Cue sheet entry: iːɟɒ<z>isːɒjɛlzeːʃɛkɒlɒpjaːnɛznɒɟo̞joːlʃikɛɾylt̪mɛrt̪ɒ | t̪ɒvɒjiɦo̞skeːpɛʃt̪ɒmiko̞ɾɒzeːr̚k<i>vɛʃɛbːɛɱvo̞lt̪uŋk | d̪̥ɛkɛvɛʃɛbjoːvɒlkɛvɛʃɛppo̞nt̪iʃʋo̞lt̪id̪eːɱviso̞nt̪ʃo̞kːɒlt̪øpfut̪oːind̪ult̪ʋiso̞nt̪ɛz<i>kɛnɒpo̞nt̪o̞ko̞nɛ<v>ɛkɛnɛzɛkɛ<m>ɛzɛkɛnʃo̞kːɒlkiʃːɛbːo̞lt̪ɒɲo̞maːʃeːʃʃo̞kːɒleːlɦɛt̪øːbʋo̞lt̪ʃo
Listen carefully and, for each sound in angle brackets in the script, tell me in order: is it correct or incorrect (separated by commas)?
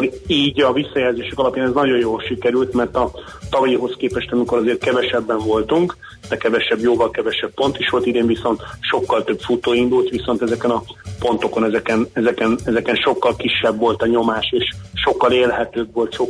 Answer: incorrect, incorrect, incorrect, incorrect, incorrect